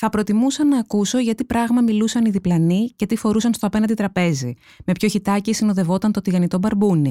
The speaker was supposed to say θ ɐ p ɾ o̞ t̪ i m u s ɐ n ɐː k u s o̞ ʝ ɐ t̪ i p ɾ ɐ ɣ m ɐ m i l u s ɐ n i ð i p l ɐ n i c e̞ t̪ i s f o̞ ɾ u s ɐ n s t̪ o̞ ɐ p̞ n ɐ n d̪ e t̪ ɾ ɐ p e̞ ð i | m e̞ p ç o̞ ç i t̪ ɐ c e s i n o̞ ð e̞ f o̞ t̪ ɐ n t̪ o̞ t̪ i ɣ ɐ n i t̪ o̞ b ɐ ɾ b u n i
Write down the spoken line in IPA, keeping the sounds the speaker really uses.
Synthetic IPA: θ ɐ p ɾ o̞ t̪ i m u s ɐ n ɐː k u s o̞ ʝ ɐ t̪ i p ɾ ɐ ɣ m ɐ m i l u s ɐ n i ð i p l ɐ n i c e̞ t̪ i f o̞ ɾ u s ɐ n s t̪ o̞ ɐ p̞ n ɐ n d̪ i t̪ ɾ ɐ p e̞ z i | m e̞ p ç o̞ ç i t̪ ɐ c i s i n o̞ ð e̞ v o̞ t̪ ɐ n t̪ o̞ t̪ i ɣ ɐ n i t̪ o̞ b ɐ ɾ b u n i